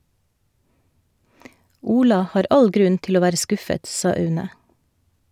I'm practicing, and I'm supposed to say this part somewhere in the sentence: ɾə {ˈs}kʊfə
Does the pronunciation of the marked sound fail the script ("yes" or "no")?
no